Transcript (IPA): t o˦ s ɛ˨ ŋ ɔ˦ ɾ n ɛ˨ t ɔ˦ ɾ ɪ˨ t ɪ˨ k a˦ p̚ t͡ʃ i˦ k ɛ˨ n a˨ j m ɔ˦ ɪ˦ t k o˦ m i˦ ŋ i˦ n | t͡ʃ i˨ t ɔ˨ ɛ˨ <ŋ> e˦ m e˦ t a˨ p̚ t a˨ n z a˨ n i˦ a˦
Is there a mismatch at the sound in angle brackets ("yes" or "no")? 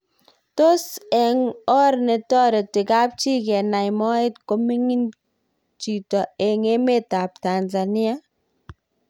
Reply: no